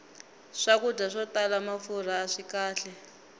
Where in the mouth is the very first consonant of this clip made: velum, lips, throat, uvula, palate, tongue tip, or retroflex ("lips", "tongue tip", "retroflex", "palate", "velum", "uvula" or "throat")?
retroflex